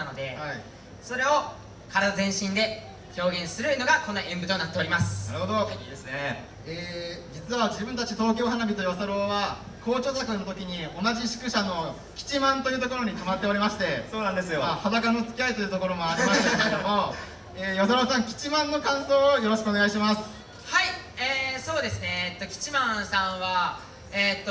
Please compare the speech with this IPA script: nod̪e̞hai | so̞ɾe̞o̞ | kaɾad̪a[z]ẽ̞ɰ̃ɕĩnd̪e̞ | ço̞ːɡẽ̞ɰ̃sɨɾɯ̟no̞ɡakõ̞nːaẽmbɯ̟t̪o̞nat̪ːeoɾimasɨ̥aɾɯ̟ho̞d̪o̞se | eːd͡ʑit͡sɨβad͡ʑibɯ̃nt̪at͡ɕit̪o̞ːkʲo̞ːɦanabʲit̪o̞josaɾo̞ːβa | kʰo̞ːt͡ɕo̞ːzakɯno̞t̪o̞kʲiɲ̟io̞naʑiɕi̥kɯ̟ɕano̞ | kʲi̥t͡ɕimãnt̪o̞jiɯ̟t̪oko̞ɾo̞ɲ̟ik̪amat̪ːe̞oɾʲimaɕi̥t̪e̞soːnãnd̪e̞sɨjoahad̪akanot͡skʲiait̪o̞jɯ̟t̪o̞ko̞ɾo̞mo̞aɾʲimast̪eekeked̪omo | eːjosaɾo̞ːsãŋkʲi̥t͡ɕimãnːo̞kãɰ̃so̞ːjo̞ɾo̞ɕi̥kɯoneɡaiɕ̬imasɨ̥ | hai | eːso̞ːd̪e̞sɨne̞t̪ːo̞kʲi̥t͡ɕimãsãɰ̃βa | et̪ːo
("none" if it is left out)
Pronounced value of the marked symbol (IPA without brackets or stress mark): z